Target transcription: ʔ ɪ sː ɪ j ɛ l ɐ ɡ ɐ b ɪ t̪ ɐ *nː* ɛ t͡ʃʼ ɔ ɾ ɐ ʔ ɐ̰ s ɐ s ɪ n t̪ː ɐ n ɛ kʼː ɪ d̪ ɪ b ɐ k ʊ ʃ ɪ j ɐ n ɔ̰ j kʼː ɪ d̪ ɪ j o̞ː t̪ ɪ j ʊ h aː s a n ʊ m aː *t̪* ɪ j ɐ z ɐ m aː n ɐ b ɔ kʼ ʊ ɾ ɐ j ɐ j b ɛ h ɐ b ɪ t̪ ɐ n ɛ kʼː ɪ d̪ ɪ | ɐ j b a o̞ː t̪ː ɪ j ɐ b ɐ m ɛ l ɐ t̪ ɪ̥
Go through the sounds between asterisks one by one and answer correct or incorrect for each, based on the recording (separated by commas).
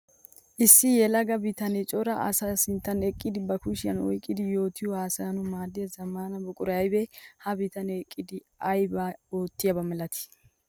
incorrect, incorrect